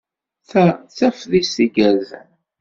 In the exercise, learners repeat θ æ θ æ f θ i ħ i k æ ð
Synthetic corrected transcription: θ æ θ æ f ð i s i ɡ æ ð